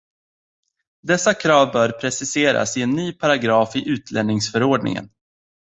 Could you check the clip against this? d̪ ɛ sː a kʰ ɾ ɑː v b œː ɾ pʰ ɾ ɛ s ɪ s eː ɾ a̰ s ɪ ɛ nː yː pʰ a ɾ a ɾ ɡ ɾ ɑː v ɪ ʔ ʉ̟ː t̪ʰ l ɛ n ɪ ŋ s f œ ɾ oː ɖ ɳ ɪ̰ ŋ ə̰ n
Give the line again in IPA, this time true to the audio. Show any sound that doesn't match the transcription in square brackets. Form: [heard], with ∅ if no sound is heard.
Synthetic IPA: d̪ ɛ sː a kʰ ɾ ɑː v b œː ɾ pʰ ɾ ɛ s ɪ s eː ɾ a̰ s ɪ ɛ nː yː pʰ a ɾ a [∅] ɡ ɾ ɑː [f] ɪ ʔ ʉ̟ː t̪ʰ l ɛ n ɪ ŋ s f œ ɾ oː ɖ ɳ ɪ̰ ŋ ə̰ n